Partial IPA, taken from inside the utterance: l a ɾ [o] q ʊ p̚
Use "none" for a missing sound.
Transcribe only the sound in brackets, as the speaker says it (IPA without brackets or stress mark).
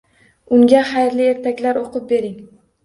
o